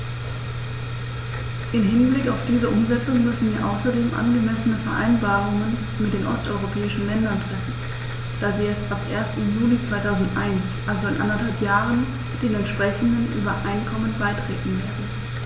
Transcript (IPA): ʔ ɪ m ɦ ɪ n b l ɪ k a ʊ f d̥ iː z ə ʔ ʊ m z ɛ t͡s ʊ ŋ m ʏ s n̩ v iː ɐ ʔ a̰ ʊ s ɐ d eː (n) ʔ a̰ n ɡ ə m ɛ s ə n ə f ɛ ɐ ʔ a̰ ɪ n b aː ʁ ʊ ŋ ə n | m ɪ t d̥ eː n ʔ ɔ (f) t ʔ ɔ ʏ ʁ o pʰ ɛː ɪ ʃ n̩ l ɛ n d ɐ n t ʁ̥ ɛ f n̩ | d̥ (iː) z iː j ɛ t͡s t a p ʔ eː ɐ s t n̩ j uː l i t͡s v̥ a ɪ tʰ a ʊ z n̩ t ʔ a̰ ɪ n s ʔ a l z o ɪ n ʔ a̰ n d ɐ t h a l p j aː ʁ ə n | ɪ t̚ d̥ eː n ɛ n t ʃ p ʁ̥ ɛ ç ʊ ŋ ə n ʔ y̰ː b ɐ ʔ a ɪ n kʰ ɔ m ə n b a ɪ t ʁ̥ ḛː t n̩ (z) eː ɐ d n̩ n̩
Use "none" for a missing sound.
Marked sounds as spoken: m, s, aː, v

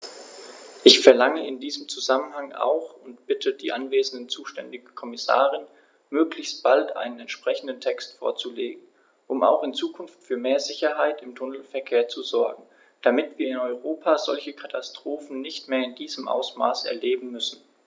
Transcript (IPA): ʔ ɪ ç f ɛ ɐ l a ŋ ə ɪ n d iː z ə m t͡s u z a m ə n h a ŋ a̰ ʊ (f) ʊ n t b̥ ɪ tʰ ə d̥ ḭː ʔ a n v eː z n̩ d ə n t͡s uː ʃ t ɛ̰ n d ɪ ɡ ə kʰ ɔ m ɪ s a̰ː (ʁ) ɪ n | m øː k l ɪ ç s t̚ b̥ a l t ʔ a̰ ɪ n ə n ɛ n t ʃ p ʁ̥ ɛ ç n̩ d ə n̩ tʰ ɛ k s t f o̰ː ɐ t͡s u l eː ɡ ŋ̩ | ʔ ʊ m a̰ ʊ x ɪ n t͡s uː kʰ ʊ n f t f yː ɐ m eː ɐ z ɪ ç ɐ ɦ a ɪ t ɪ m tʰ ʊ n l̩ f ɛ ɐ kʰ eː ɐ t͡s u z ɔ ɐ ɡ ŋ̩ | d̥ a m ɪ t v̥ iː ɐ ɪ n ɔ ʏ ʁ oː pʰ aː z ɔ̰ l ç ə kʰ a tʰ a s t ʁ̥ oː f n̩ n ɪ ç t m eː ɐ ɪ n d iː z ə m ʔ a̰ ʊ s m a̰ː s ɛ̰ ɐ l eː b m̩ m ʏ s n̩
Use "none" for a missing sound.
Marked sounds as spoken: x, ʁ

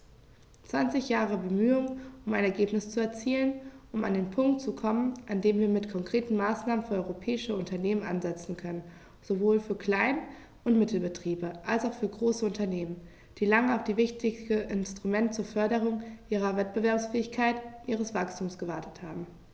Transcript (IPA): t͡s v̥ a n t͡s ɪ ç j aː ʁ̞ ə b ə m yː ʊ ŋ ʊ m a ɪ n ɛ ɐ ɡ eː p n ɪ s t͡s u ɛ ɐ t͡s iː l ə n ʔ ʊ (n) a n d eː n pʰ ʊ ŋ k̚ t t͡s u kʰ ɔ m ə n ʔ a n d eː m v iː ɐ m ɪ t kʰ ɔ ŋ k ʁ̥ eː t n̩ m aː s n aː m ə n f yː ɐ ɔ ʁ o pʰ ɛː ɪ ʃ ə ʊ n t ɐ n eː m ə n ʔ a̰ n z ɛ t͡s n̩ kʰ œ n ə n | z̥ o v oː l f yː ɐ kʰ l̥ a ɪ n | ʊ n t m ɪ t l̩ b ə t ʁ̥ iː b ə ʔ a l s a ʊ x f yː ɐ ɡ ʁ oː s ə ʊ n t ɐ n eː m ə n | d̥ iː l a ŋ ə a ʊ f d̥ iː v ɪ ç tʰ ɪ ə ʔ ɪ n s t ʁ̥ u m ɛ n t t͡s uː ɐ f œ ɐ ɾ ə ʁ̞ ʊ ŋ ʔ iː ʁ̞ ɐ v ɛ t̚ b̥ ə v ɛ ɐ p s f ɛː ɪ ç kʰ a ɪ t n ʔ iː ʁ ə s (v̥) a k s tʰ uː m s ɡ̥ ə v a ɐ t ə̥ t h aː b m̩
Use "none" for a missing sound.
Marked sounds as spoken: m, v̥

